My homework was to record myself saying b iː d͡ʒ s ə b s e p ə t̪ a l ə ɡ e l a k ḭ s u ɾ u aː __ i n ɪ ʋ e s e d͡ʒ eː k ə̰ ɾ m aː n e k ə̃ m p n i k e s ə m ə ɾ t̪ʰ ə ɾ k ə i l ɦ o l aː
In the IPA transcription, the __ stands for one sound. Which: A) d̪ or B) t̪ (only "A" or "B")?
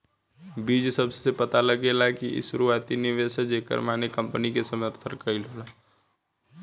B